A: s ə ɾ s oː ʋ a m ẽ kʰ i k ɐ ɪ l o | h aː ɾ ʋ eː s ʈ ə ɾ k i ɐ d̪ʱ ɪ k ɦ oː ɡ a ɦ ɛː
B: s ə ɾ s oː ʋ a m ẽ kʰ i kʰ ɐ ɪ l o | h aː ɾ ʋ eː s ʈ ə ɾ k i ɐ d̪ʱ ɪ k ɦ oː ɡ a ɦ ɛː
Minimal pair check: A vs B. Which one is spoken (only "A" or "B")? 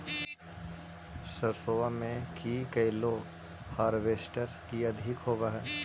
A